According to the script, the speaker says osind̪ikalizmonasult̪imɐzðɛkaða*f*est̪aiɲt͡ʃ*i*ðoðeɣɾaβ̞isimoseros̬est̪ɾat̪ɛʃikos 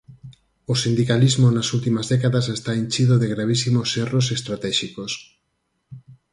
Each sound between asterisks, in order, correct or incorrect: incorrect: s, correct

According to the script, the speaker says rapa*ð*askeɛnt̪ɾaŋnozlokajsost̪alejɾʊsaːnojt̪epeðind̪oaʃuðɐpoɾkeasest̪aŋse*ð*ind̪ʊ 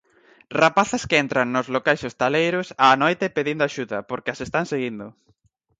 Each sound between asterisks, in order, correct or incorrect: incorrect: θ, incorrect: ɣ

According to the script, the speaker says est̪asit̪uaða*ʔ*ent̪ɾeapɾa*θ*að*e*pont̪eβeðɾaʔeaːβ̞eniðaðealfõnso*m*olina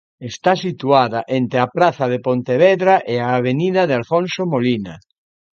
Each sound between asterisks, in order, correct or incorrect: correct, correct, correct, correct

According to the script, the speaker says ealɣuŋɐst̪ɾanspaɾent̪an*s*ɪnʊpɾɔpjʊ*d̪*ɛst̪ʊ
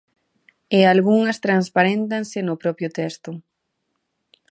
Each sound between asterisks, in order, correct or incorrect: correct, incorrect: t̪

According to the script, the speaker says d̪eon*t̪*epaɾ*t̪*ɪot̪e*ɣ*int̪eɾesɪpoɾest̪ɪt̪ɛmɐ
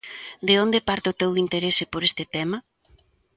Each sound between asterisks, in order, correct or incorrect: incorrect: d̪, correct, incorrect: w

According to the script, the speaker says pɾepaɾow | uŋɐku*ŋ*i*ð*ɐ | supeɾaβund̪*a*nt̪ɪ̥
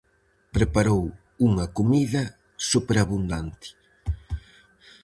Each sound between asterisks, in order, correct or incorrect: incorrect: m, correct, correct

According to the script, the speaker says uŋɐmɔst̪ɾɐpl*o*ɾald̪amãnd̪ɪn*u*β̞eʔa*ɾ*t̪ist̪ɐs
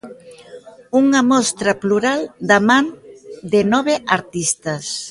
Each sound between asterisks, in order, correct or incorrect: incorrect: u, incorrect: ɔ, correct

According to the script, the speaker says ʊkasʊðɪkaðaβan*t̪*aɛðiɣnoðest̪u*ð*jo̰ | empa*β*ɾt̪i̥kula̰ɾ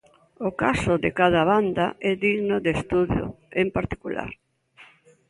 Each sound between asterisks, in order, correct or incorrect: incorrect: d̪, correct, incorrect: none

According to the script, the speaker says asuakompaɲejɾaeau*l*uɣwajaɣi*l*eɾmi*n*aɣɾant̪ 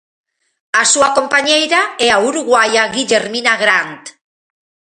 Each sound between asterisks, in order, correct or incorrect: incorrect: ɾ, incorrect: ʎ, correct

